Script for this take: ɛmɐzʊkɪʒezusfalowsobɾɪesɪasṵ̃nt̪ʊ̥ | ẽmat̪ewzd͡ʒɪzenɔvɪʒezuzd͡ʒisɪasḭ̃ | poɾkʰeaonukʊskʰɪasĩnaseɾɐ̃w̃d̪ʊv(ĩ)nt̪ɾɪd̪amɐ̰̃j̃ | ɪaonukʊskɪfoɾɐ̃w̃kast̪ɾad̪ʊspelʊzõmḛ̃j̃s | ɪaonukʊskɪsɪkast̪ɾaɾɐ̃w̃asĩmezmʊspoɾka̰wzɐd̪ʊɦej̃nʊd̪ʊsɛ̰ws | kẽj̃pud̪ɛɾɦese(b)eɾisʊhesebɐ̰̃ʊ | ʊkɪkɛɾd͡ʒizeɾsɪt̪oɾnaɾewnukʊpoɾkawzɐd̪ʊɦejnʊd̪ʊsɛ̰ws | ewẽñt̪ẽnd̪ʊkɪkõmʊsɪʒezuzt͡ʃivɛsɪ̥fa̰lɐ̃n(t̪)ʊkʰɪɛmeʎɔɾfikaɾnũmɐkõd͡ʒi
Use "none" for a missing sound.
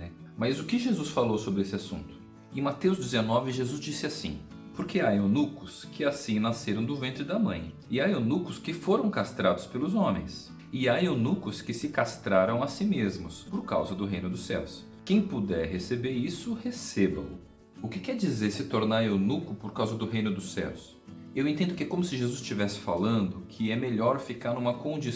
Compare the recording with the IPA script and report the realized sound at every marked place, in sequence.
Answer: ẽ, b, d̪

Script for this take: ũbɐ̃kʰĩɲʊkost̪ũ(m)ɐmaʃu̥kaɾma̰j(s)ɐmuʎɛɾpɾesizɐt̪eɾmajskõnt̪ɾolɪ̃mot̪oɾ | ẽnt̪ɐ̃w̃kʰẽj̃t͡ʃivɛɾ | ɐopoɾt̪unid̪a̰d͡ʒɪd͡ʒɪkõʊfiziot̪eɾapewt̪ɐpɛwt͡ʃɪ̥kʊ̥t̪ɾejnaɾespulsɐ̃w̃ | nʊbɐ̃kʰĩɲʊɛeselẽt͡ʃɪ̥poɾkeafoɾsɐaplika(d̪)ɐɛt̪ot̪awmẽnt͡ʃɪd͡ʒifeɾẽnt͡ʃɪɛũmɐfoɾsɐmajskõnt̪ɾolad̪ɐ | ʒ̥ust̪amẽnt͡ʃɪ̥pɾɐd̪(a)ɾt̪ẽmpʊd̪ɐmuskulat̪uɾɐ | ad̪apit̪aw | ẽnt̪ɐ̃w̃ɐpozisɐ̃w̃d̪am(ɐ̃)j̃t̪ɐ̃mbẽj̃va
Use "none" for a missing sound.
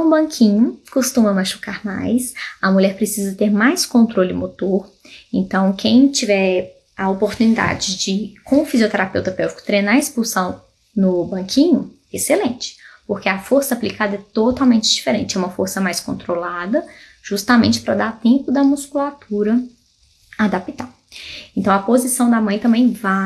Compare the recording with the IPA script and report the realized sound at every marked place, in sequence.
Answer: m, s, d̪, a, ɐ̃

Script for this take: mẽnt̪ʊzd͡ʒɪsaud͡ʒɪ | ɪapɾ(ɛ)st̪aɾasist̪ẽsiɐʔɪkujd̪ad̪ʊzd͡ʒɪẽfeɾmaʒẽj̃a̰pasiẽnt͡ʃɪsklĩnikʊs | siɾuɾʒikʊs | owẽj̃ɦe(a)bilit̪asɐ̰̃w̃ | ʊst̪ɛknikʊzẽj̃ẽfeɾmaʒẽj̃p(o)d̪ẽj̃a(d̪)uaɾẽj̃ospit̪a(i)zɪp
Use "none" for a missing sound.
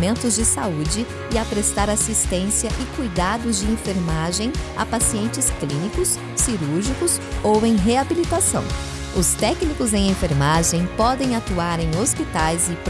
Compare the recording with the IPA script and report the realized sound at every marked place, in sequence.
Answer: e, a, ɔ, t̪, j

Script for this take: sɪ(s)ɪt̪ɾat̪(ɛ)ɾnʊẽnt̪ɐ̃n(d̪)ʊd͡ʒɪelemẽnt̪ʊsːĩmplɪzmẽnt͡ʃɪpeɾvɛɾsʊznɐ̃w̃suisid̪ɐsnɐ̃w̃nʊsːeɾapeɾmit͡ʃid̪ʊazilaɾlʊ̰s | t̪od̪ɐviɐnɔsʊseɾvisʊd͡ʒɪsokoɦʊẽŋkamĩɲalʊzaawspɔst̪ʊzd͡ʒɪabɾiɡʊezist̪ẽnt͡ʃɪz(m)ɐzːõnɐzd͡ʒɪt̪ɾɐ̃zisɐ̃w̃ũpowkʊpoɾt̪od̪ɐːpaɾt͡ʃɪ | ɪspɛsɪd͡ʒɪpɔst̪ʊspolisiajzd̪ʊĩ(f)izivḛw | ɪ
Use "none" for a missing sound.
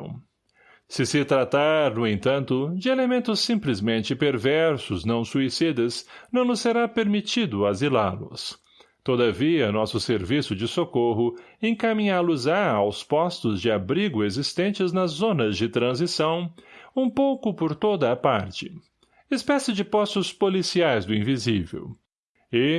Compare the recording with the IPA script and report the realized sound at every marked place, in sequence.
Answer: s, a, t̪, n, v

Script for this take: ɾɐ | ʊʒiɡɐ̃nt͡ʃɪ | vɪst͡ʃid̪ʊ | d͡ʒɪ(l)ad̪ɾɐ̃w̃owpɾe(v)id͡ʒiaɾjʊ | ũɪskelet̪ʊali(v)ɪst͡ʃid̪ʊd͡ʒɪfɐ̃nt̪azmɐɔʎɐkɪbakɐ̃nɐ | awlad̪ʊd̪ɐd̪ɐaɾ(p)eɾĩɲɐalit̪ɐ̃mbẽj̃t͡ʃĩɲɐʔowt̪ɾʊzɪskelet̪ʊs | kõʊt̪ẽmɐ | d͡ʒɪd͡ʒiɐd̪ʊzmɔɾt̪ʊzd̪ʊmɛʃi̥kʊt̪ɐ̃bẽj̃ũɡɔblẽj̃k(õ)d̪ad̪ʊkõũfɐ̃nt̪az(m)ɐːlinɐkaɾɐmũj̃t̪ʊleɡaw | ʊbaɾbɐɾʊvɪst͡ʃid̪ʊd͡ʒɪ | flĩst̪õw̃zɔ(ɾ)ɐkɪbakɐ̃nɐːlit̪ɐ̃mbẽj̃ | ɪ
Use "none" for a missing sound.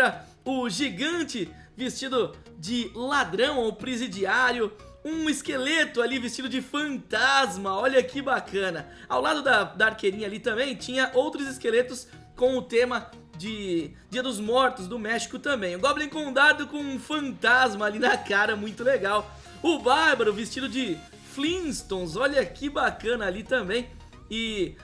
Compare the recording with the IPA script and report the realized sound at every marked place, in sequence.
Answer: l, z, v, k, õ, m, ʎ

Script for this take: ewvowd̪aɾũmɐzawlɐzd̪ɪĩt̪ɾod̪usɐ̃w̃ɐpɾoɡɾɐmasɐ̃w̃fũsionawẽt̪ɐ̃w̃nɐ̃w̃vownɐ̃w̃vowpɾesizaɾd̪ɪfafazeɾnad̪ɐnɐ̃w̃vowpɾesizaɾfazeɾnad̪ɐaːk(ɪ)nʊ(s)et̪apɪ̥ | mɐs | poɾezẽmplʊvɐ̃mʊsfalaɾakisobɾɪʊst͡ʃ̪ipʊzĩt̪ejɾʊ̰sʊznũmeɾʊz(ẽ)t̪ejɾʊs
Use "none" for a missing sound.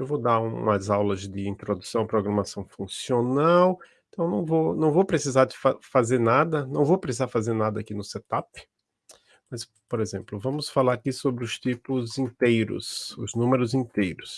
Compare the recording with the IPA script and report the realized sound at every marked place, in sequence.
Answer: i, s, ĩ

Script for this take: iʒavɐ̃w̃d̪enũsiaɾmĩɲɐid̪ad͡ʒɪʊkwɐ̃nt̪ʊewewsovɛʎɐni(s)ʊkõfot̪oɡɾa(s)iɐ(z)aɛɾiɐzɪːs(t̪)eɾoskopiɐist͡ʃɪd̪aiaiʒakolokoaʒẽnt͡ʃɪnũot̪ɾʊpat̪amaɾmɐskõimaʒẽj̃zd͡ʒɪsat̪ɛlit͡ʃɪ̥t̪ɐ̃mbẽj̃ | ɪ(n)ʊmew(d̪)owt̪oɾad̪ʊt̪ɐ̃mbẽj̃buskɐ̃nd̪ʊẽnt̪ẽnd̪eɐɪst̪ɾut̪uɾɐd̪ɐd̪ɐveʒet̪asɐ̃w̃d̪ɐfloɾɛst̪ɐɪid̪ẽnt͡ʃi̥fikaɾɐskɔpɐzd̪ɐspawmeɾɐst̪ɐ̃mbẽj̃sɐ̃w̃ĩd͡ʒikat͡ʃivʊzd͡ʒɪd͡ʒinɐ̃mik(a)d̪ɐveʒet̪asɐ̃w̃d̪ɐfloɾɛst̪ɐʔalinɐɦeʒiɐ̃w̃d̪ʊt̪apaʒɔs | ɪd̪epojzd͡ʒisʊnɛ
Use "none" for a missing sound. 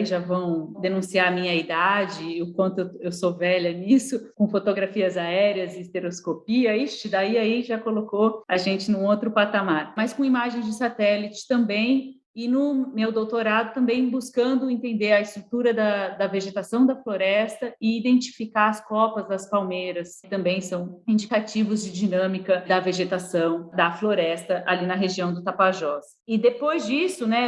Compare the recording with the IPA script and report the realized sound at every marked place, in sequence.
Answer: s, f, z, t̪, n, d̪, ɐ

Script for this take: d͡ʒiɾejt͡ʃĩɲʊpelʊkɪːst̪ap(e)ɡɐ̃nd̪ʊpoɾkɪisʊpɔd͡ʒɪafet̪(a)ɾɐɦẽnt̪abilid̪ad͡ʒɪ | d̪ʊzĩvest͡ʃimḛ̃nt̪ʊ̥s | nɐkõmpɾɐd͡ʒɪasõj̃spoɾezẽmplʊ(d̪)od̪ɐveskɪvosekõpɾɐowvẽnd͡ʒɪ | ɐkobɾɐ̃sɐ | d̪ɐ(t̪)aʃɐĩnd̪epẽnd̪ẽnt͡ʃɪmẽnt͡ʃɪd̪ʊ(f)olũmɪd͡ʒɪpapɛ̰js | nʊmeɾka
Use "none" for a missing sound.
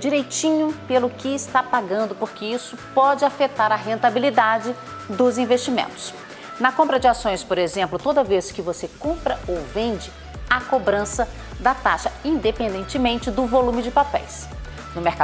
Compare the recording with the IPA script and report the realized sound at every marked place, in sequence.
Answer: a, a, t̪, t̪, v

